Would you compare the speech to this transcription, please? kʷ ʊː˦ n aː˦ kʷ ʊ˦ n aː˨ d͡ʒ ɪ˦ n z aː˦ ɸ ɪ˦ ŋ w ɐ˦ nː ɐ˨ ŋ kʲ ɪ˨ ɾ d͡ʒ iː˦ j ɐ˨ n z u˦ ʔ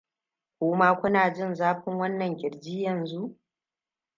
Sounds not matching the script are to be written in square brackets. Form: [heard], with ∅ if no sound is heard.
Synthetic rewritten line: kʷ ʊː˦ [m] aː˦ kʷ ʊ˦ n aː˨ d͡ʒ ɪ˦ n z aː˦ ɸ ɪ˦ ŋ w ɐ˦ nː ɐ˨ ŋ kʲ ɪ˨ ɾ d͡ʒ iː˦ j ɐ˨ n z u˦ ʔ